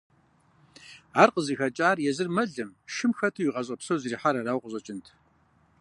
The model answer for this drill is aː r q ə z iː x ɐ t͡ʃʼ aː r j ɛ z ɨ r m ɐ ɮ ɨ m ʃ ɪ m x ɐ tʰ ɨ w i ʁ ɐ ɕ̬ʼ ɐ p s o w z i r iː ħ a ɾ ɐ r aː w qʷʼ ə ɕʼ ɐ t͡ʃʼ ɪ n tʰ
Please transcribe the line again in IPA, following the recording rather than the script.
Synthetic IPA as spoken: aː r q ə z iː x ɐ t͡ʃʼ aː r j ɛ z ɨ r m ɐ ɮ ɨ m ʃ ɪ m x ɐ tʰ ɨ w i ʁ ɐ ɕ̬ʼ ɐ p s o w z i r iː ħ a ɾ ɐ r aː w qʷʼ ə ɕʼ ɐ t͡ʃʼ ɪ n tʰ